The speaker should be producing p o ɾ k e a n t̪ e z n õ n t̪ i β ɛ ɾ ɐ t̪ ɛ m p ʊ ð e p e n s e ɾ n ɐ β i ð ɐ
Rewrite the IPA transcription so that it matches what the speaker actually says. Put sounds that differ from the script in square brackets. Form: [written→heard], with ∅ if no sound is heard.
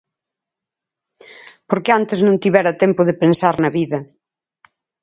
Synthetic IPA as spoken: p o ɾ k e a n t̪ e z n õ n t̪ i β ɛ ɾ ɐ t̪ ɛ m p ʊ ð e p e n s [e→a] ɾ n ɐ β i ð ɐ